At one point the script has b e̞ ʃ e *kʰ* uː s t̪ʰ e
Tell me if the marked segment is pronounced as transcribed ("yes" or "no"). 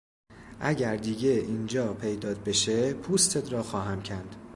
no